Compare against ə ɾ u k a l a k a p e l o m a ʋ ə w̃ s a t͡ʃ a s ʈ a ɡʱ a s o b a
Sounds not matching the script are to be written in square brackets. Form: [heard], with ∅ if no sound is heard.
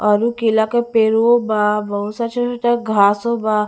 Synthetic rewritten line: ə ɾ u k [i] l a k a p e [ɾ] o [b] a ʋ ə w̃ s a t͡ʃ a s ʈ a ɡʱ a s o b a